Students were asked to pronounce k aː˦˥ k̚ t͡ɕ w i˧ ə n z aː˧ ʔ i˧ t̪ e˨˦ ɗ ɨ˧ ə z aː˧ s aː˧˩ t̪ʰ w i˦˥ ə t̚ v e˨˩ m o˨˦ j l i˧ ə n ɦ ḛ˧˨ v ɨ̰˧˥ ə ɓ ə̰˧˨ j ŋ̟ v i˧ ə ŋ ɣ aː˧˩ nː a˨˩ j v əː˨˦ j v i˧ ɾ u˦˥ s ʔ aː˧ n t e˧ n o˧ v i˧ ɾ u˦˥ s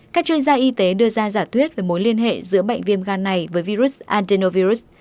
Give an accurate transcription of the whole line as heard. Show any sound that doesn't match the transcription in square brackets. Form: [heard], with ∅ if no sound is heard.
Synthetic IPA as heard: k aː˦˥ k̚ t͡ɕ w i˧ ə n z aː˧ ʔ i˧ t̪ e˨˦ ɗ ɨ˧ ə z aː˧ [z] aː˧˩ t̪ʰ w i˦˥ ə t̚ v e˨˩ m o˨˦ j l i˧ ə n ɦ ḛ˧˨ [z] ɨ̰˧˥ ə ɓ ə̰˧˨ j ŋ̟ v i˧ ə [m] ɣ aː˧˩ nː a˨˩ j v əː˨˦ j v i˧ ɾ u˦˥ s ʔ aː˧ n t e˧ n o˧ v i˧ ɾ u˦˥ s